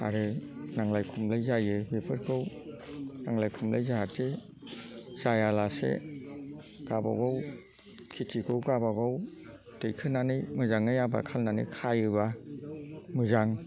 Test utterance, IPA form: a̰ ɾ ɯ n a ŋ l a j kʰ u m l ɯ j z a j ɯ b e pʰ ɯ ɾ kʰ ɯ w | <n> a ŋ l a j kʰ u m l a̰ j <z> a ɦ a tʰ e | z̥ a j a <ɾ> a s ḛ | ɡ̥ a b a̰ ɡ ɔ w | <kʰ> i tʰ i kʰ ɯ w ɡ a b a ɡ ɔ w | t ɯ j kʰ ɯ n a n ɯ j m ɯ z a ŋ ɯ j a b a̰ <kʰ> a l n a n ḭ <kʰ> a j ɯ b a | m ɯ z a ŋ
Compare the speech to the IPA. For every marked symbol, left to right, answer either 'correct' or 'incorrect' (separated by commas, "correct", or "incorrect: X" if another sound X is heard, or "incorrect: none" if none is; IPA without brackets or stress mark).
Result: correct, correct, incorrect: l, correct, correct, correct